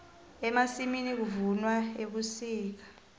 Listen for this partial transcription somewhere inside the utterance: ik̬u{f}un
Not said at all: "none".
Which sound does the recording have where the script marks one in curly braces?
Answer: v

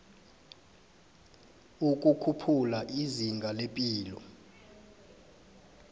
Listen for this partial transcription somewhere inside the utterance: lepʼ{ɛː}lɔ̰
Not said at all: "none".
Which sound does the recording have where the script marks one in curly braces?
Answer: iː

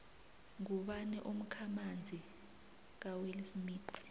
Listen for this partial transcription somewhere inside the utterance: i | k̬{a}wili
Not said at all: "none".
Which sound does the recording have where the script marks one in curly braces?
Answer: a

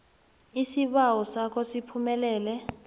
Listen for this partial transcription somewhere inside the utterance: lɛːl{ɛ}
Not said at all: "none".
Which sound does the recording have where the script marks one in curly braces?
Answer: ɛ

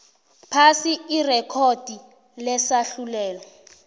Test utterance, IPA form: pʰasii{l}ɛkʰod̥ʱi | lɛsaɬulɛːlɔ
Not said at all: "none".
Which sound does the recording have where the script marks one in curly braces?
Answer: r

